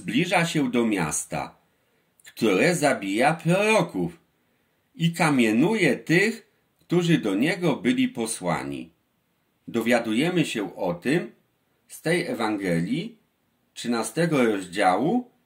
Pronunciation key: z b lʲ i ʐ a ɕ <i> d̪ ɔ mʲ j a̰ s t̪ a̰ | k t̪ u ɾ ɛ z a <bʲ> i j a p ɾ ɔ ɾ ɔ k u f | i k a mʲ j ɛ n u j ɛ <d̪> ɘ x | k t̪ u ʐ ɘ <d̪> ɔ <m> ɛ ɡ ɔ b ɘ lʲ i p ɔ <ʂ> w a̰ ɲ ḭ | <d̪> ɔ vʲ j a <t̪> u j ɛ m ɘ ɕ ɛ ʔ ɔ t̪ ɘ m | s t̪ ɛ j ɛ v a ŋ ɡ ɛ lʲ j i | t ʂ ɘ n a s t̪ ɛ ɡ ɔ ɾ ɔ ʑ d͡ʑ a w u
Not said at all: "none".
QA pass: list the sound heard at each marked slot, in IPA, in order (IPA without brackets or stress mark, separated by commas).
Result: ɛ, bʲ, t̪, d̪, ɲ, s, d̪, d̪